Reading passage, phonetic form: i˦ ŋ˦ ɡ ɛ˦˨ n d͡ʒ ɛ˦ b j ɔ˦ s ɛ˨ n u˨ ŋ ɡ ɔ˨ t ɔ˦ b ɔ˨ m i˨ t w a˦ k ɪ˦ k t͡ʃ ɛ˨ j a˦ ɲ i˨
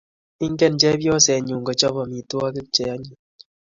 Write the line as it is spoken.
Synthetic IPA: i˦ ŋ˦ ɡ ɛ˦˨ n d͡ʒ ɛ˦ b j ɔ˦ s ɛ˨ ɲ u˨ ŋ ɡ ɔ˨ t͡ʃ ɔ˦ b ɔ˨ m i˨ t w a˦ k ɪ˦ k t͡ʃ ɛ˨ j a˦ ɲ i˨